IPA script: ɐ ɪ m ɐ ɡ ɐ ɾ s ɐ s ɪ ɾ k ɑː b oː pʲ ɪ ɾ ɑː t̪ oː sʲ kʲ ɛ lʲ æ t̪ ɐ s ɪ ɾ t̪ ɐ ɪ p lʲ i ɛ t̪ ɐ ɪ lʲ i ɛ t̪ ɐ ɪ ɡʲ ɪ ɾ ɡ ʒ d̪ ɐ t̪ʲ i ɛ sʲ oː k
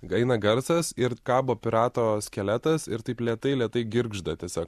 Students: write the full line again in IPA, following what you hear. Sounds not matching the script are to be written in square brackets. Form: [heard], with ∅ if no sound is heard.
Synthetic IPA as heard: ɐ ɪ [n] ɐ ɡ ɐ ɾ s ɐ s ɪ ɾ k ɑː b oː pʲ ɪ ɾ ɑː t̪ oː sʲ kʲ ɛ lʲ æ t̪ ɐ s ɪ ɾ t̪ ɐ ɪ p lʲ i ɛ t̪ ɐ ɪ lʲ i ɛ t̪ ɐ ɪ ɡʲ ɪ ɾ ɡ ʒ d̪ ɐ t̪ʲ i ɛ sʲ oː k